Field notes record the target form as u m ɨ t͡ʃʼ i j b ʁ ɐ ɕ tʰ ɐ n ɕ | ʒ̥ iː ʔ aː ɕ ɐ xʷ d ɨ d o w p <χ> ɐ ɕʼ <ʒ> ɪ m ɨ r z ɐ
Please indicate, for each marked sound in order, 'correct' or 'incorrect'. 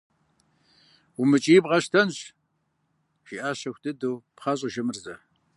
correct, correct

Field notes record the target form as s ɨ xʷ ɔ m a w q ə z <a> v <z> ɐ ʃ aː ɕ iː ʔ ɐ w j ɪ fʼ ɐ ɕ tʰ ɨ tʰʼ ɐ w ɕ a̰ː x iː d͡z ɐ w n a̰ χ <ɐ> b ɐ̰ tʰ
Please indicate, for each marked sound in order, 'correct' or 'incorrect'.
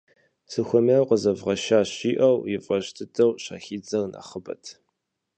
incorrect: ɐ, incorrect: ʁ, incorrect: ə

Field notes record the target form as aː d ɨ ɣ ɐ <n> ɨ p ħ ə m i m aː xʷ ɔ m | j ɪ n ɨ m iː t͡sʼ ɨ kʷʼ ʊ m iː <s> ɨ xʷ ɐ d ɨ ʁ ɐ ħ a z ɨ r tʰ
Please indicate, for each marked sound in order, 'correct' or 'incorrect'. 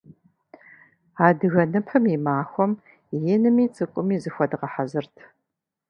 correct, incorrect: z

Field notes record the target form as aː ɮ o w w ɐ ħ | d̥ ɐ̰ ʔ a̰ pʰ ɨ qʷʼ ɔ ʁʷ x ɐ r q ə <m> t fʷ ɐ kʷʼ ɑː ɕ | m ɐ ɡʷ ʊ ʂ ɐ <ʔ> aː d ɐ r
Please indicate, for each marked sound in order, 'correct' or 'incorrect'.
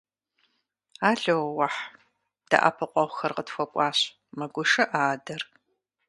incorrect: none, correct

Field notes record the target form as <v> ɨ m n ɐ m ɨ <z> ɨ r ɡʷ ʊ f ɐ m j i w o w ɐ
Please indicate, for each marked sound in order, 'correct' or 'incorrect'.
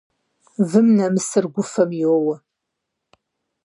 correct, incorrect: s

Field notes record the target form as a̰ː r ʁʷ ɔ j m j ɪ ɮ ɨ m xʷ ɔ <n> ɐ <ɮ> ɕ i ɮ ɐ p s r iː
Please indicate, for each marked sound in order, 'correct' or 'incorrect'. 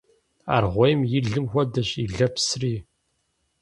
incorrect: d, incorrect: none

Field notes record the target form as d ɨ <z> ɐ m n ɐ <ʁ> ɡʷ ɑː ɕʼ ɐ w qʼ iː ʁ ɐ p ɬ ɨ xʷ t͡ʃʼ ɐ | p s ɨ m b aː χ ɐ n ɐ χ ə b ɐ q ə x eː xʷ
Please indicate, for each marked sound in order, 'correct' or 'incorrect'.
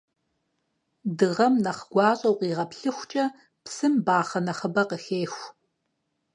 incorrect: ʁ, incorrect: χ

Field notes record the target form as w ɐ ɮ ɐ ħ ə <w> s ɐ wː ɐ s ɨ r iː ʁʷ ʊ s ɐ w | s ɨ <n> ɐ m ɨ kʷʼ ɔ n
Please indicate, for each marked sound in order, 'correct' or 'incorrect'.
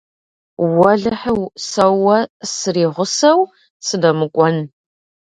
correct, incorrect: d

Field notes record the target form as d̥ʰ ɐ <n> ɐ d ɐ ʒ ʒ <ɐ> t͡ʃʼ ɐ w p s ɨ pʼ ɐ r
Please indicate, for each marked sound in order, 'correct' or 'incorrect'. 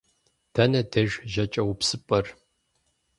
correct, correct

